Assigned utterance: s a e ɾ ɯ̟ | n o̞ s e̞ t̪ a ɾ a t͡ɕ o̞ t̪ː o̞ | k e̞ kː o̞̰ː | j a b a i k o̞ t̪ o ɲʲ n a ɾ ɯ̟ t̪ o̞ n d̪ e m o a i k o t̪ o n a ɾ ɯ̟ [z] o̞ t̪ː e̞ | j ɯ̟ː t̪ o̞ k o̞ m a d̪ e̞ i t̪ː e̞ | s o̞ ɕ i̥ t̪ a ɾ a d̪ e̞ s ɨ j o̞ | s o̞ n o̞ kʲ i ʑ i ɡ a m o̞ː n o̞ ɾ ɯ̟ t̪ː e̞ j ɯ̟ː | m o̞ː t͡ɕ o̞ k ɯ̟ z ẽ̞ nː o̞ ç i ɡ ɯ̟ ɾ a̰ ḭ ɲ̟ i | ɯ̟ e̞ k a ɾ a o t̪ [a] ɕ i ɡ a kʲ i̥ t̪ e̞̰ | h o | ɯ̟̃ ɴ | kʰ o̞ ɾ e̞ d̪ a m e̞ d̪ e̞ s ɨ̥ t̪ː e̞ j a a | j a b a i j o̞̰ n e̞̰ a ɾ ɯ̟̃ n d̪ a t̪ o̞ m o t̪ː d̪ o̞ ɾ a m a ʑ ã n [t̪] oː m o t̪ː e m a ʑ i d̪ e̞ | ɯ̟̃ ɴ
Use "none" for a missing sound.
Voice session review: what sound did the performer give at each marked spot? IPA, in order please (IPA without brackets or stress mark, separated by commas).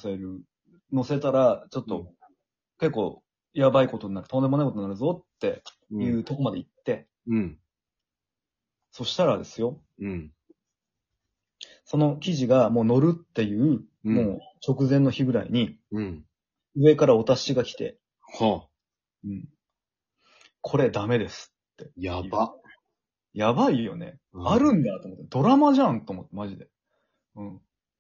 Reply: z, a, t̪